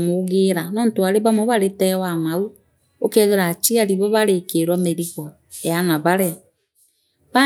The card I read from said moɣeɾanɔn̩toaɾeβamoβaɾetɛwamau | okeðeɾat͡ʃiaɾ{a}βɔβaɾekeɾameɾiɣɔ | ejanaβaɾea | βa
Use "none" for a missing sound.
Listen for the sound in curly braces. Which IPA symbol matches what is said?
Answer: i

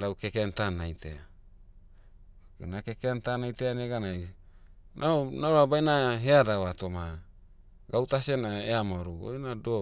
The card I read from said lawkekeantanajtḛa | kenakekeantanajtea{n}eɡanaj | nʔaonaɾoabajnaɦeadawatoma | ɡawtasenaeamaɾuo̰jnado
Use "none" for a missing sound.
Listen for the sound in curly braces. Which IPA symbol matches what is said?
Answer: n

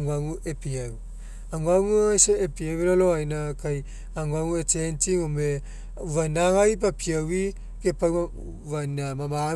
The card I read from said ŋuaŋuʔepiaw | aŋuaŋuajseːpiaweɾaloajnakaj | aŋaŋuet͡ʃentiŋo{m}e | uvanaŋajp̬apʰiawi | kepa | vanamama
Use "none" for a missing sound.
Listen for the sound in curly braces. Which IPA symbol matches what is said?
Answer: m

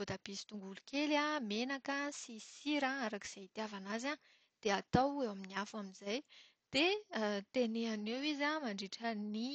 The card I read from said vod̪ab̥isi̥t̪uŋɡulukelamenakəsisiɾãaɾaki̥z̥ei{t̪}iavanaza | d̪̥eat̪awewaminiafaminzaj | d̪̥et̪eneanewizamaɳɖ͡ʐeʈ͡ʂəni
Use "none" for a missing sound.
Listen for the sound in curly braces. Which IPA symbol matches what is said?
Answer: t̪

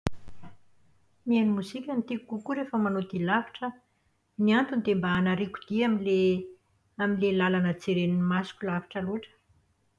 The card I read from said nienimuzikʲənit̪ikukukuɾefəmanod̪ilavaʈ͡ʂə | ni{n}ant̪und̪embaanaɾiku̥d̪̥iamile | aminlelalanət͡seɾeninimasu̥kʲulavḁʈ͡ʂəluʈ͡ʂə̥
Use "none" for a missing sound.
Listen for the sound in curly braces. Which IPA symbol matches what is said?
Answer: none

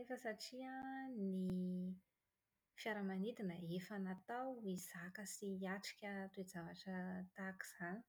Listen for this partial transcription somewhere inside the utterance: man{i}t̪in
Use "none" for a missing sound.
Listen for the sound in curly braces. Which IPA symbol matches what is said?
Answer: i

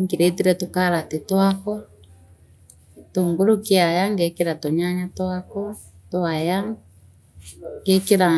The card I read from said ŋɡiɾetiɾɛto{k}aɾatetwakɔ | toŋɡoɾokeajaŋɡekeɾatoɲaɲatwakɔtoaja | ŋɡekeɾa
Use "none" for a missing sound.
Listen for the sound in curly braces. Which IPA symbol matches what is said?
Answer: k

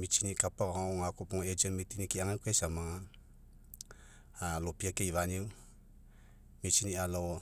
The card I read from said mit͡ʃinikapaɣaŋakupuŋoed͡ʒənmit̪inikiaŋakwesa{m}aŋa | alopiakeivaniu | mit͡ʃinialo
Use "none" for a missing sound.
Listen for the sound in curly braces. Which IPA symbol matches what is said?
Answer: m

